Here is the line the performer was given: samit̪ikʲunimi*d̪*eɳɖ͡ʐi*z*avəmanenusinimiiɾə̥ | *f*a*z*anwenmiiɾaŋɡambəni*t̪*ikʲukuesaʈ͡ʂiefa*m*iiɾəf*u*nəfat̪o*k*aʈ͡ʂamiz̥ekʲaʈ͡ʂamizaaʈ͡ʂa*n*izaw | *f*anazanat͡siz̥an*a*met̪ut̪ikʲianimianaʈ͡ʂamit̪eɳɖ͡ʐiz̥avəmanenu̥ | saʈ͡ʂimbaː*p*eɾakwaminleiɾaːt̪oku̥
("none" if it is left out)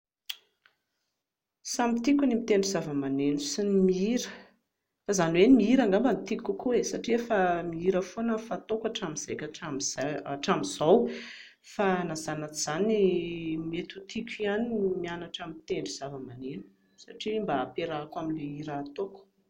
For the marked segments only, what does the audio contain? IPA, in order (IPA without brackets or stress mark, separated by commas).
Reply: t̪, z, f, z, t̪, m, o, k, m, f, i, p